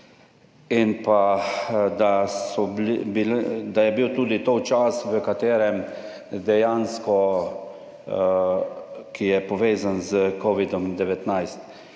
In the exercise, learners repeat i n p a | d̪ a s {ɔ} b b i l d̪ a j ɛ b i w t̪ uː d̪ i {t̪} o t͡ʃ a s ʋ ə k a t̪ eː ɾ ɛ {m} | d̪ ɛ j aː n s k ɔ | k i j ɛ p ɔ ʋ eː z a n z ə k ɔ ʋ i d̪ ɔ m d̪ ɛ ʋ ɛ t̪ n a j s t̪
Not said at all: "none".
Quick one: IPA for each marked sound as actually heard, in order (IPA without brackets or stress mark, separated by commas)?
ɔ, t̪, m